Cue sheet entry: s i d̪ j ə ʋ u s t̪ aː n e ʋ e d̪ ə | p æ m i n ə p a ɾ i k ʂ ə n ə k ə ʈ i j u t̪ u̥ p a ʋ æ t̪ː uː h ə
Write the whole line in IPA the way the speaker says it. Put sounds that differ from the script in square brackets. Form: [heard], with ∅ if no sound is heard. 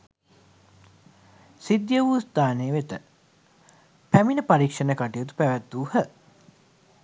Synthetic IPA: s i d̪ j ə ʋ u s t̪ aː n e ʋ e [t̪] ə | p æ m i n ə p a ɾ i k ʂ ə n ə k [a] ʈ i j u t̪ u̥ p [æ] ʋ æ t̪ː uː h ə